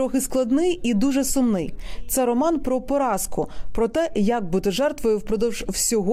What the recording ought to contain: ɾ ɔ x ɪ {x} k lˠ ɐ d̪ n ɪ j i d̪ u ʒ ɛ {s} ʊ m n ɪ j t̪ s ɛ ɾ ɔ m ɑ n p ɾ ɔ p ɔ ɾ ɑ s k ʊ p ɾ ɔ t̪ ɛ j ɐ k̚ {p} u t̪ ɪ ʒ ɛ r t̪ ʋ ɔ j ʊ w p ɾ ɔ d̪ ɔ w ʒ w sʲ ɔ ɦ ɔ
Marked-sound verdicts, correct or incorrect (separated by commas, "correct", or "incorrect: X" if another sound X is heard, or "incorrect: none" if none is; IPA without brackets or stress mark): incorrect: s, correct, incorrect: b